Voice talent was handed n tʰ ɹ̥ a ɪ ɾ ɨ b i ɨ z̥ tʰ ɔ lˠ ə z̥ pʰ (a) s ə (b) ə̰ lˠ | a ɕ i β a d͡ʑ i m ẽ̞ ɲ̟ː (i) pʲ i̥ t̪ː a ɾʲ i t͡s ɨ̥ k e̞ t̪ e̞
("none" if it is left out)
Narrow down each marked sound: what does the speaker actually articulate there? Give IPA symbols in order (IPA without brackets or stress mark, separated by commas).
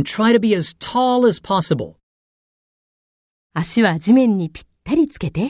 ɑ, b, i